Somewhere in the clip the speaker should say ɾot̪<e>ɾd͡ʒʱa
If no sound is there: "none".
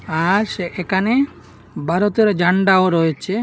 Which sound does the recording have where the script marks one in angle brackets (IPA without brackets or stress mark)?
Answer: e